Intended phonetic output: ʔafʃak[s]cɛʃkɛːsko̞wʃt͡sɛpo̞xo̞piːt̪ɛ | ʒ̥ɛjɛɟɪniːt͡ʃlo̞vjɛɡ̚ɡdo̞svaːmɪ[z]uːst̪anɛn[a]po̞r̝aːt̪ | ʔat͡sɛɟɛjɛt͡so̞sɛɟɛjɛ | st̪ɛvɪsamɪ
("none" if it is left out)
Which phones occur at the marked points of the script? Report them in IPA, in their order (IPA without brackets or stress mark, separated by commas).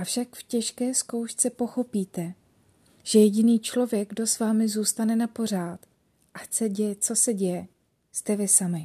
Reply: f, z, a